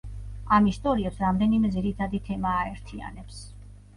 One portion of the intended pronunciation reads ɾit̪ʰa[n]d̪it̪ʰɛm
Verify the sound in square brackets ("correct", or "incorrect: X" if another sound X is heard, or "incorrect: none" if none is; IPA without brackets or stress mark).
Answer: incorrect: none